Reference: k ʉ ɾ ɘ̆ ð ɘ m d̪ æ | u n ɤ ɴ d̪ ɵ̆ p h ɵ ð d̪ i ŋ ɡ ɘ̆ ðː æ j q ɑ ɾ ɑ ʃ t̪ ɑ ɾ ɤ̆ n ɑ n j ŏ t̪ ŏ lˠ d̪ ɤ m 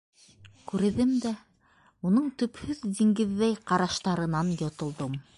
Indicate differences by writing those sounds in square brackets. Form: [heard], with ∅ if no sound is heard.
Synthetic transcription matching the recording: k ʉ ɾ ɘ̆ ð ɘ m d̪ æ | u n ɤ ɴ [t̪] ɵ̆ p h ɵ ð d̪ i ŋ ɡ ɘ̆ ðː æ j q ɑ ɾ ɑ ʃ t̪ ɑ ɾ ɤ̆ n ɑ n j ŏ t̪ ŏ lˠ d̪ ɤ m